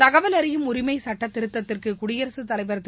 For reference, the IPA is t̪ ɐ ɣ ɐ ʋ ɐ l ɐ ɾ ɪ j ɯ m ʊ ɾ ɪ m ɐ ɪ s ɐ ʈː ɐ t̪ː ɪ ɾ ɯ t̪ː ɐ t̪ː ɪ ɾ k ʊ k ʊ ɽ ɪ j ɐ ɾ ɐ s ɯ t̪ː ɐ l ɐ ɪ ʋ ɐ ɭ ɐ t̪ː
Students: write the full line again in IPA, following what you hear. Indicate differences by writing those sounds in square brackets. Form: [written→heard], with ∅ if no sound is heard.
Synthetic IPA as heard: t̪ ɐ ɣ ɐ ʋ ɐ l ɐ ɾ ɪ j ɯ m ʊ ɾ ɪ m ɐ ɪ s ɐ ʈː ɐ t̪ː ɪ ɾ ɯ t̪ː ɐ t̪ː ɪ [ɾ→r] k [ʊ→ɯ] k ʊ ɽ ɪ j ɐ ɾ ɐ s ɯ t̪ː ɐ l ɐ ɪ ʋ ɐ [ɭ→ɾ] ɐ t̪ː